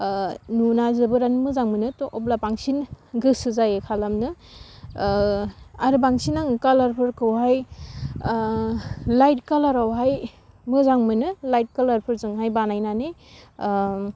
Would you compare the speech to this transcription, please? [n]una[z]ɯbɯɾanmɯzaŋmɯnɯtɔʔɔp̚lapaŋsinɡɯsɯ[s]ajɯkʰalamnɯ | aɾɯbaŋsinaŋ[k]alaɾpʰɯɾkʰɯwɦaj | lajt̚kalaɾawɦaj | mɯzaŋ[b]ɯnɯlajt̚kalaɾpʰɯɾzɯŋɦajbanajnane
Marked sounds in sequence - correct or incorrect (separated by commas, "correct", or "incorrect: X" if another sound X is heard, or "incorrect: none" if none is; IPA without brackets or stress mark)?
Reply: correct, correct, incorrect: z, correct, incorrect: m